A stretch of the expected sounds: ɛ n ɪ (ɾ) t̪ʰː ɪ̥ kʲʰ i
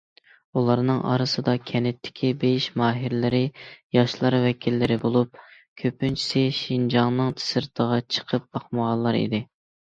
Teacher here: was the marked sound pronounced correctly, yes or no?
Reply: no